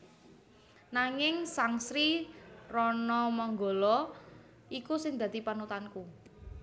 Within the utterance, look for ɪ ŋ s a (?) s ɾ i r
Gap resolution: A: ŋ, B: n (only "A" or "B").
A